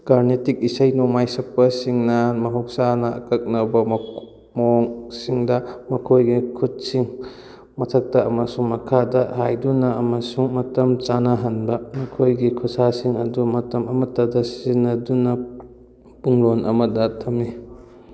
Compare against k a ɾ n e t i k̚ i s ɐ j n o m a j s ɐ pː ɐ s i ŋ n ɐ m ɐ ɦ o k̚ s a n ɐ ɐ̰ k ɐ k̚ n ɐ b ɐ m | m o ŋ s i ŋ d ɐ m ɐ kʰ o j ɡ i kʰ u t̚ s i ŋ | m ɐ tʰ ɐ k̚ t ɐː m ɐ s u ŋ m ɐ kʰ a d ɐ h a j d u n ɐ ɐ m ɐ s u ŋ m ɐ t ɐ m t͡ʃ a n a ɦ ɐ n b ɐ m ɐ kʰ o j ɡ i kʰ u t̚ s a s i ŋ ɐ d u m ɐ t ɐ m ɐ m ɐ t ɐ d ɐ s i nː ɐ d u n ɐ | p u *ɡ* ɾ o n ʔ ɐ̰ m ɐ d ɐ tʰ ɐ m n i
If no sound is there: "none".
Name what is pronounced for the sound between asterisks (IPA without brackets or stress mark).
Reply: ŋ